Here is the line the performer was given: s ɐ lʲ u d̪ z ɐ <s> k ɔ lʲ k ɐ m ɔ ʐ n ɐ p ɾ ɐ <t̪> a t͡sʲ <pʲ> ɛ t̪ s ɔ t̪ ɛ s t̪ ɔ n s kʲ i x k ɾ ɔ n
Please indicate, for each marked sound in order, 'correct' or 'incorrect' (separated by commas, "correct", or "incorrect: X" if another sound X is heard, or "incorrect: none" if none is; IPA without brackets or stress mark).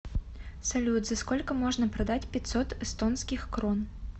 correct, incorrect: d̪, correct